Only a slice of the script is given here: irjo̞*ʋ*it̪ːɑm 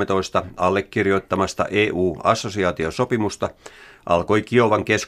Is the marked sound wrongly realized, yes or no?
yes